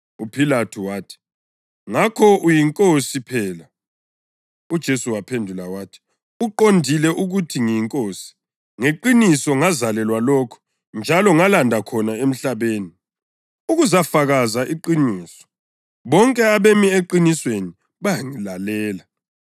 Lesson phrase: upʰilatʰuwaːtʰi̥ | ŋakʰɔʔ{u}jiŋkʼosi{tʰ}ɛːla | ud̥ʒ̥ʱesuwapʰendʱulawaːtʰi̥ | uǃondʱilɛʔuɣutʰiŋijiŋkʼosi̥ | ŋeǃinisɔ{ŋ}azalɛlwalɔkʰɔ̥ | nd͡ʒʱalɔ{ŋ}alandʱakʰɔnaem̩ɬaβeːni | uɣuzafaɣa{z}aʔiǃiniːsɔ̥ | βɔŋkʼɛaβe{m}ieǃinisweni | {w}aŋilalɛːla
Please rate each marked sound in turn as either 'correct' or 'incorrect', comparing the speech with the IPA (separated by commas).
correct, incorrect, correct, correct, correct, correct, incorrect